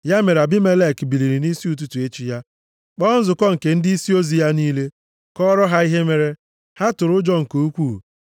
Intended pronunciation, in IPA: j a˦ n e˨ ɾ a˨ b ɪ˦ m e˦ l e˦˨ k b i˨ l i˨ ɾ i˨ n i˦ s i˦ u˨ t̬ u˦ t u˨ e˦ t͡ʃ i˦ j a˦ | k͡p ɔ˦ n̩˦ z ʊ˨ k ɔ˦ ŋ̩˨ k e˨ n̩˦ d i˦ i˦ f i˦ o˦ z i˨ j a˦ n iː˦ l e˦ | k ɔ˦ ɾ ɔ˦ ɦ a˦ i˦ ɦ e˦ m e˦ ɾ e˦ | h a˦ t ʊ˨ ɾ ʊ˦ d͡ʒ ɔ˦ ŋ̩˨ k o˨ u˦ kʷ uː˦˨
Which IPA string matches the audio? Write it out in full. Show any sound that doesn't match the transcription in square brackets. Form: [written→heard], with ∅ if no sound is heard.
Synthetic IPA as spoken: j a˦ [n→m] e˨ ɾ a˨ b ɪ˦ m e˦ l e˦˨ k b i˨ l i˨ ɾ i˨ n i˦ s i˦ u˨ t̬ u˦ t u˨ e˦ t͡ʃ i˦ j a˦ | k͡p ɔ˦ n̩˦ z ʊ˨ k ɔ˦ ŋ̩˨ k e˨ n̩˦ d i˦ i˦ [f→s] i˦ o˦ z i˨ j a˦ n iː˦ l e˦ | k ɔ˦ ɾ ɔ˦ ɦ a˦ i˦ ɦ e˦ m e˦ ɾ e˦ | h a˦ t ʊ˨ ɾ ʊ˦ d͡ʒ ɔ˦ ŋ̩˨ k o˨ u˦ kʷ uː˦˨